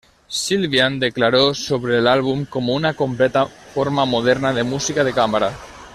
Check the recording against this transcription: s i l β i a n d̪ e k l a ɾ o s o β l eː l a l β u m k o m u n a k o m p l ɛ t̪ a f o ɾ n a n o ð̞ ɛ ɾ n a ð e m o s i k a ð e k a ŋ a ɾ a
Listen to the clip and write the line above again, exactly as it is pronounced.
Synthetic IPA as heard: s i l β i a n d̪ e k l a ɾ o s o β ɾ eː l a l β u m k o m u n a k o m p l ɛ t̪ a f o ɾ m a m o ð̞ ɛ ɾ n a ð e m u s i k a ð e k a m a ɾ a

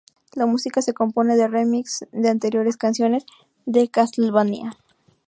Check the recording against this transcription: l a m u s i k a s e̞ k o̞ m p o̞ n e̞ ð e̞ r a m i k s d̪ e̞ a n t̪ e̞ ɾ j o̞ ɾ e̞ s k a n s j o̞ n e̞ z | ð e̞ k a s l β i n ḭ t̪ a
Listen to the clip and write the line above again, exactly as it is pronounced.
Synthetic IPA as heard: l a m u s i k a s e̞ k o̞ m p o̞ n e̞ ð e̞ r e m i k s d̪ e̞ a n t̪ e̞ ɾ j o̞ ɾ e̞ s k a n s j o̞ n e̞ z | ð e̞ k a s l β a n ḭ a

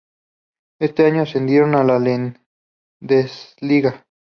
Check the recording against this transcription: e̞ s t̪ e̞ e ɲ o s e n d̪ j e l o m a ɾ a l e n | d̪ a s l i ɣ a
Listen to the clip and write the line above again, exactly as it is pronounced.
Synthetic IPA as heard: e̞ s t̪ e̞ a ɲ o s e n d̪ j e ɾ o n a l a l e n | d̪ e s l i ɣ a

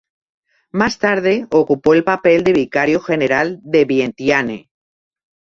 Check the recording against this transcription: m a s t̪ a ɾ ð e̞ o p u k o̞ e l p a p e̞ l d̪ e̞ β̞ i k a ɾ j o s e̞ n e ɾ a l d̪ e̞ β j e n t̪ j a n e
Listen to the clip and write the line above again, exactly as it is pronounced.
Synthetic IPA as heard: m a s t̪ a ɾ ð e̞ o k u p o̞ e l p a p e̞ l d̪ e̞ β̞ i k a ɾ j o x e̞ n e ɾ a l d̪ e̞ β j e n t̪ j a n e

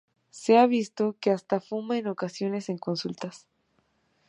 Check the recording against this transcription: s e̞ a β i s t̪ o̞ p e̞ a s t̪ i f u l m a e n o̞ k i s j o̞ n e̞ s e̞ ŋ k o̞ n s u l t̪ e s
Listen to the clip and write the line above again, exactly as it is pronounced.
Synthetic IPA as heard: s e̞ a β i s t̪ o̞ k e̞ a s t̪ a f u m a e n o̞ k a s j o̞ n e̞ s e̞ ŋ k o̞ n s u l t̪ a s

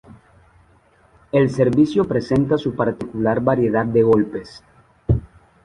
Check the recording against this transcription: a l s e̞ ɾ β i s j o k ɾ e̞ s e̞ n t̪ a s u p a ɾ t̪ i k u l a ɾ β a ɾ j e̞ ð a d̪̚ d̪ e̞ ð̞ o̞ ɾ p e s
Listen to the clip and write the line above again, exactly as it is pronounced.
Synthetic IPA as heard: e l s e̞ ɾ β i s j o p ɾ e̞ s e̞ n t̪ a s u p a ɾ t̪ i k u l a ɾ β a ɾ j e̞ ð a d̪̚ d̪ e̞ ɣ̞ o̞ l p e s

